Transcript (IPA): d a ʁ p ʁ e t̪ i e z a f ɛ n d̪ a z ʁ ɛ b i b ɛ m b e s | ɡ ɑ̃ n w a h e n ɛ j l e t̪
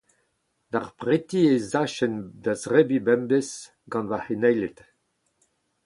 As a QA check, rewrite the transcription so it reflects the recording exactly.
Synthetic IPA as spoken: d a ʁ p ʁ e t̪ i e z a ʃ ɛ n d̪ a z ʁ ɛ b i b ɛ m b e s | ɡ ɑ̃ n v a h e n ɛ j l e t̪